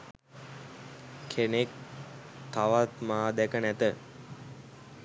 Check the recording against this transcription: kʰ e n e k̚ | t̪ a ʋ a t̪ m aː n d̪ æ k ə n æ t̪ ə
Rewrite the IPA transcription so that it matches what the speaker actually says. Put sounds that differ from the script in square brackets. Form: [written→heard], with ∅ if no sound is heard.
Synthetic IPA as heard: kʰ e n e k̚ | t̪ a ʋ a t̪ m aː [n→∅] d̪ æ k ə n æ t̪ ə